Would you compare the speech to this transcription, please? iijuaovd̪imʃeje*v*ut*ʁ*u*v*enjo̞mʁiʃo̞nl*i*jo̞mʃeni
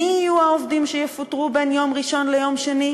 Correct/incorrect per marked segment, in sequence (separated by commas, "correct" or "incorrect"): incorrect, correct, incorrect, incorrect